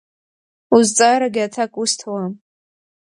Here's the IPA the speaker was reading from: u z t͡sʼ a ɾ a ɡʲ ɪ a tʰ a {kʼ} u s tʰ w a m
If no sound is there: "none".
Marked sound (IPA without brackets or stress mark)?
kʼ